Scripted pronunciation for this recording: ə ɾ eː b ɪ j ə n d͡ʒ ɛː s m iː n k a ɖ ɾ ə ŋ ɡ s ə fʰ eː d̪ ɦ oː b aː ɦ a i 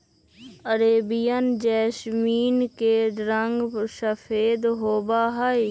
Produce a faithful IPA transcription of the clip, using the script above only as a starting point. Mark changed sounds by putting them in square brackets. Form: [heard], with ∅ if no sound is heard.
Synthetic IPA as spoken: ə ɾ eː b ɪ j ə n d͡ʒ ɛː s m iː n k [e] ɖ ɾ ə ŋ ɡ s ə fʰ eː d̪ ɦ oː b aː ɦ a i